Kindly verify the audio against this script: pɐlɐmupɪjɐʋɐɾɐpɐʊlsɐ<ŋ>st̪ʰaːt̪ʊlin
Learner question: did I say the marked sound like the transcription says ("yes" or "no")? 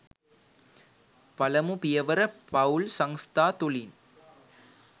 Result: yes